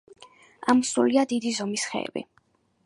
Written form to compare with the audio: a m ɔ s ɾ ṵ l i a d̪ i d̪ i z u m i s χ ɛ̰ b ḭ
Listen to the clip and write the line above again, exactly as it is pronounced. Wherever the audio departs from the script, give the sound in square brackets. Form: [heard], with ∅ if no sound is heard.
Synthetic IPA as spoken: a m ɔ s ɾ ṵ l i a d̪ i d̪ i z [ɔ] m i s χ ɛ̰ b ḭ